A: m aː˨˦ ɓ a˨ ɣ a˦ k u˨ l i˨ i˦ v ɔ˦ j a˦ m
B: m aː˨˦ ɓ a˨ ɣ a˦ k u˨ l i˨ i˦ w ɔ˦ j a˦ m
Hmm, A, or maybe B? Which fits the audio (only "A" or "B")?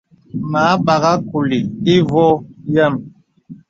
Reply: A